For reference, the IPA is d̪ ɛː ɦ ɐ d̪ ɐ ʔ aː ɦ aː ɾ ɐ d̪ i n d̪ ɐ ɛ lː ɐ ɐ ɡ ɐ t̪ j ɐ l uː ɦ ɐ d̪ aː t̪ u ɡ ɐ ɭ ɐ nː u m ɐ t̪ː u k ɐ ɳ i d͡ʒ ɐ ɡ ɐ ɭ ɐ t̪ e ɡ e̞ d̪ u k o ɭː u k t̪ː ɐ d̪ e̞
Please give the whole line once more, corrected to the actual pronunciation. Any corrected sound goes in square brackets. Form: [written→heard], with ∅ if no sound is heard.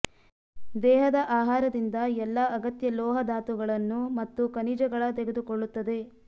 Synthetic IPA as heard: d̪ ɛː ɦ ɐ d̪ ɐ ʔ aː ɦ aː ɾ ɐ d̪ i n d̪ ɐ ɛ lː ɐ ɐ ɡ ɐ t̪ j ɐ l [uː→ɔː] ɦ ɐ d̪ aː t̪ u ɡ ɐ ɭ ɐ nː u m ɐ t̪ː u k ɐ [ɳ→n] i d͡ʒ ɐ ɡ ɐ ɭ ɐ t̪ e ɡ e̞ d̪ u k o ɭː u [k→∅] t̪ː ɐ d̪ e̞

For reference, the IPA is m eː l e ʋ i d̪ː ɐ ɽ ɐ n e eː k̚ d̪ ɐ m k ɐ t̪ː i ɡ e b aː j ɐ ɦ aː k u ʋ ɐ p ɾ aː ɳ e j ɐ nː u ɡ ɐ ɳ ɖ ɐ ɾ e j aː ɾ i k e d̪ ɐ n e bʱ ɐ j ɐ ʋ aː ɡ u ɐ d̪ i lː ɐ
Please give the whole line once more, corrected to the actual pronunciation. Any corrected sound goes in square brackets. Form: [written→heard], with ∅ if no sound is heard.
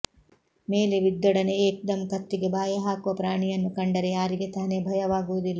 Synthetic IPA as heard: m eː l e ʋ i d̪ː ɐ ɽ ɐ n e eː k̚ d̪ ɐ m k ɐ t̪ː i ɡ e b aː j ɐ ɦ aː k u ʋ ɐ p ɾ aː ɳ [e→i] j ɐ nː u [ɡ→k] ɐ ɳ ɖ ɐ ɾ e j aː ɾ i [k→ɡ] e [d̪→t̪] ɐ n e bʱ ɐ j ɐ ʋ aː ɡ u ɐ d̪ i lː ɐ

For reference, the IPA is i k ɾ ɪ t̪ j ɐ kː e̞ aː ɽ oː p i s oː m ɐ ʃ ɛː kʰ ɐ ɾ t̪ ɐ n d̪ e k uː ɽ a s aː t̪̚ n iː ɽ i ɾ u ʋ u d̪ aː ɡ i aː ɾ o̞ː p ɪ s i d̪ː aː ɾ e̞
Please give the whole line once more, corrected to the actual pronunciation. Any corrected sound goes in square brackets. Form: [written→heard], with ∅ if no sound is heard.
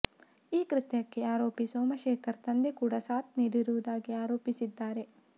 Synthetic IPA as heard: [i→iː] k ɾ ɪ t̪ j ɐ kː e̞ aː [ɽ→ɾ] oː p i s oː m ɐ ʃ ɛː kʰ ɐ ɾ t̪ ɐ n d̪ e k uː ɽ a s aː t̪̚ n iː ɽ i ɾ u ʋ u d̪ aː ɡ i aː ɾ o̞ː p [ɪ→i] s i d̪ː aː ɾ e̞

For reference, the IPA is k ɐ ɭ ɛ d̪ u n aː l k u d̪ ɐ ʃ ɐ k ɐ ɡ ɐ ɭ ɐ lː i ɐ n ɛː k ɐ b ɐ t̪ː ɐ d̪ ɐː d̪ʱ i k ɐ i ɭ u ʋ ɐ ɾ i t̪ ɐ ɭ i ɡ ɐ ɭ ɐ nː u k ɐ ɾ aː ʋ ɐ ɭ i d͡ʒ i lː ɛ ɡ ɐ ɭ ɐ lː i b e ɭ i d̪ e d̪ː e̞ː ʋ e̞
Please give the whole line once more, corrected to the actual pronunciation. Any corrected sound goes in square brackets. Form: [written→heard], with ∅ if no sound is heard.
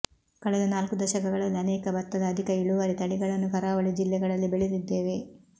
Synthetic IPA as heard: k ɐ ɭ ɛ d̪ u n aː l k u d̪ ɐ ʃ ɐ k ɐ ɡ ɐ ɭ ɐ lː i ɐ n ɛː k ɐ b ɐ t̪ː ɐ d̪ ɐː d̪ʱ i k ɐ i ɭ u ʋ ɐ ɾ i t̪ ɐ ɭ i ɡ ɐ ɭ ɐ nː u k ɐ ɾ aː ʋ ɐ ɭ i d͡ʒ i lː ɛ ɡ ɐ ɭ ɐ lː i b e ɭ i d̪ [e→i] d̪ː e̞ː ʋ e̞

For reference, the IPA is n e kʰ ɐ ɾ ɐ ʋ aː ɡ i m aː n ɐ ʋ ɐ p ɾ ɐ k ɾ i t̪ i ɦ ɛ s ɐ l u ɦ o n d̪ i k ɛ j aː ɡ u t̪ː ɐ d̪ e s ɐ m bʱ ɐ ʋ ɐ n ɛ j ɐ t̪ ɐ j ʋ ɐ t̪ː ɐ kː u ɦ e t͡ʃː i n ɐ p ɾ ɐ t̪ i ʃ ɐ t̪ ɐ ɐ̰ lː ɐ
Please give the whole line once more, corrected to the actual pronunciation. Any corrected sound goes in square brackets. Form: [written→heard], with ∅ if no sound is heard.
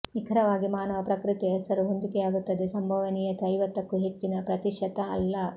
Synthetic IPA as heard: n [e→i] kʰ ɐ ɾ ɐ ʋ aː ɡ i m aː n ɐ ʋ ɐ p ɾ ɐ k ɾ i t̪ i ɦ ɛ s ɐ [l→ɾ] u ɦ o n d̪ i k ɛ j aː ɡ u t̪ː ɐ d̪ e s ɐ m bʱ ɐ ʋ ɐ n [ɛ→i] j ɐ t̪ ɐ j ʋ ɐ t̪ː ɐ kː u ɦ e t͡ʃː i n ɐ p ɾ ɐ t̪ i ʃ ɐ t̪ ɐ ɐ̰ lː ɐ

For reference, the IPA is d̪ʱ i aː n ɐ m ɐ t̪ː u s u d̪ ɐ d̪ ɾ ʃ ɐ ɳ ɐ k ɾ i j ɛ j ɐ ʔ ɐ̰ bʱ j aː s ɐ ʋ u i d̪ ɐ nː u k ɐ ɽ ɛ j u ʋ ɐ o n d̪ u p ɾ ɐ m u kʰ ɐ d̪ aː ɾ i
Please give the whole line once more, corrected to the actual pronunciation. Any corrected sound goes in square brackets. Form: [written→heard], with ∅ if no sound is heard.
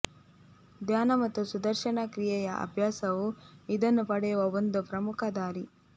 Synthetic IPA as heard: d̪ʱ [i→j] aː n ɐ m ɐ t̪ː u s u d̪ ɐ [d̪→∅] ɾ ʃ ɐ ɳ ɐ k ɾ i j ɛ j ɐ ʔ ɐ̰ bʱ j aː s ɐ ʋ u i d̪ ɐ nː u [k→p] ɐ ɽ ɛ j u ʋ ɐ o n d̪ u p ɾ ɐ m u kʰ ɐ d̪ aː ɾ i

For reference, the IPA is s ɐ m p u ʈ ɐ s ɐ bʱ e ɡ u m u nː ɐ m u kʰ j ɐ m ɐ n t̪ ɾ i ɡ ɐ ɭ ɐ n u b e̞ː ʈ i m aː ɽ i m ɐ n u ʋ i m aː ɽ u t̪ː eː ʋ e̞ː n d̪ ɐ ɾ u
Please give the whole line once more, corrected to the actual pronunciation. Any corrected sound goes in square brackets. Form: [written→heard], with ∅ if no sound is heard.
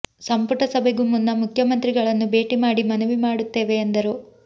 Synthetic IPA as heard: s ɐ m p u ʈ ɐ s ɐ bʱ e ɡ u m u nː ɐ m u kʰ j ɐ m ɐ n t̪ ɾ i ɡ ɐ ɭ ɐ [n→nː] u b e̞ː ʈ i m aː ɽ i m ɐ n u ʋ i m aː ɽ u t̪ː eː ʋ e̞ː n d̪ ɐ ɾ u

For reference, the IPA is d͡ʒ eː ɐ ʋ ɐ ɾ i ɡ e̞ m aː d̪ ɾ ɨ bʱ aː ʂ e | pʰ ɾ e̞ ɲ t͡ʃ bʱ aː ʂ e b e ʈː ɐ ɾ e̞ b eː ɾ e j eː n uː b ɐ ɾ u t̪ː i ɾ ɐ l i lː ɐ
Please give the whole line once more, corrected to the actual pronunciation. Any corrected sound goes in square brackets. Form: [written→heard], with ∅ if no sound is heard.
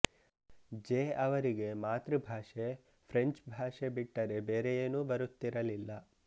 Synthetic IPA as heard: d͡ʒ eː ɐ ʋ ɐ ɾ i ɡ e̞ m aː [d̪→t̪] ɾ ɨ bʱ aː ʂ e | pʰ ɾ e̞ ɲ t͡ʃ bʱ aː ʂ e b [e→i] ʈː ɐ ɾ e̞ b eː ɾ e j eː n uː b ɐ ɾ u t̪ː i ɾ ɐ l i lː ɐ

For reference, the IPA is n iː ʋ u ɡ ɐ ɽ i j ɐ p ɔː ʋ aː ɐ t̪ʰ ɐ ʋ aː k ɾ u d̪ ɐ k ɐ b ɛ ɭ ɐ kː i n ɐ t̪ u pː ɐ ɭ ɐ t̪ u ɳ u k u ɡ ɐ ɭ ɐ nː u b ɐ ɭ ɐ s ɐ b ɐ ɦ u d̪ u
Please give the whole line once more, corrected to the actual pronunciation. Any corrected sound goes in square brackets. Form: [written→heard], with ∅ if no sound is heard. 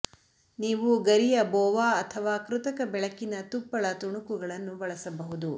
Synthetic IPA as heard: n iː ʋ u ɡ ɐ [ɽ→ɾ] i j ɐ [p→b] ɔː ʋ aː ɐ t̪ʰ ɐ ʋ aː k ɾ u [d̪→t̪] ɐ k ɐ b ɛ ɭ ɐ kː i n ɐ t̪ u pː ɐ ɭ ɐ t̪ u ɳ u k u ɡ ɐ ɭ ɐ nː u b ɐ ɭ ɐ s ɐ b ɐ ɦ u d̪ u

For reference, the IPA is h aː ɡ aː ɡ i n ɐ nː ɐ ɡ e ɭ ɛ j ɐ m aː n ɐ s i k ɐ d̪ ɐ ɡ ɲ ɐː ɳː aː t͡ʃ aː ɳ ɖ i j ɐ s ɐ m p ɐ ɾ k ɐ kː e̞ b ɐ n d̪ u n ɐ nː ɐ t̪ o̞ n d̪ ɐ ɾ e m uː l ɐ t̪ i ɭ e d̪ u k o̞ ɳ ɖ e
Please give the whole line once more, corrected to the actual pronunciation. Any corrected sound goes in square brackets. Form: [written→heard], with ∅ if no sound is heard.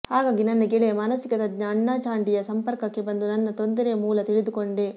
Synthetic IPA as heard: h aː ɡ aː ɡ i n ɐ nː ɐ ɡ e ɭ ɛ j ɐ m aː n ɐ s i k ɐ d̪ ɐ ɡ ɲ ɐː ɳː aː t͡ʃ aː ɳ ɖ i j ɐ s ɐ m p ɐ ɾ k ɐ kː e̞ b ɐ n d̪ u n ɐ nː ɐ t̪ o̞ n d̪ ɐ ɾ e m uː l ɐ t̪ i ɭ [e→i] d̪ u k o̞ ɳ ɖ e

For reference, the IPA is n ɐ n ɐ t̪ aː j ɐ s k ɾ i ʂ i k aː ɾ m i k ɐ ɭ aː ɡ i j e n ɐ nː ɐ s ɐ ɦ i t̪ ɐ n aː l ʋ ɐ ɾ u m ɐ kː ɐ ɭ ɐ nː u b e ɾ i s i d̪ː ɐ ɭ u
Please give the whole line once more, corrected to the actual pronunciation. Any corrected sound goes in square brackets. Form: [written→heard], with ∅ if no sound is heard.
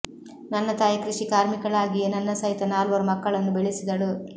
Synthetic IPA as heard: n ɐ [n→nː] ɐ t̪ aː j ɐ [s→∅] k ɾ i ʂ i k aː ɾ m i k ɐ ɭ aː ɡ i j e n ɐ nː ɐ s ɐ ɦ i t̪ ɐ n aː l ʋ ɐ ɾ u m ɐ kː ɐ ɭ ɐ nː u b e [ɾ→ɭ] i s i [d̪ː→d̪] ɐ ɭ u

